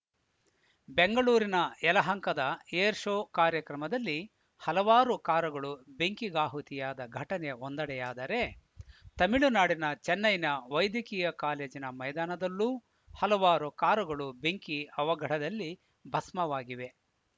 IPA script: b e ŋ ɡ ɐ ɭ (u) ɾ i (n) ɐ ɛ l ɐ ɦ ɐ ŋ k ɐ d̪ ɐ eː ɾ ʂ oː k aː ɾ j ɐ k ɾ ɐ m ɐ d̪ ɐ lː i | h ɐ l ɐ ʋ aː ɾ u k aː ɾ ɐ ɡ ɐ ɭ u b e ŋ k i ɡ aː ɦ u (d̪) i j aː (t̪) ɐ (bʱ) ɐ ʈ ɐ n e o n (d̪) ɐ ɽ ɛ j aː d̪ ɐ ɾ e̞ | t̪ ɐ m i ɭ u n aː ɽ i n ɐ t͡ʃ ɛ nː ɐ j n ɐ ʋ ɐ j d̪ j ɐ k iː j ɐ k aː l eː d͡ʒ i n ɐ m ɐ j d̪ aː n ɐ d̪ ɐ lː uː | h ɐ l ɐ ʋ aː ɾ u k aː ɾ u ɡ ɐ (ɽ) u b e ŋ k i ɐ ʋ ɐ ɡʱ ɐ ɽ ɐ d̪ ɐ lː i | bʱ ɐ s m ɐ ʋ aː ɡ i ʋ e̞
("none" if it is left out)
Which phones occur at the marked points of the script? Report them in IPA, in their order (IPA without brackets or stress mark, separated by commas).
uː, n, t̪, d̪, ɡʱ, d̪, ɭ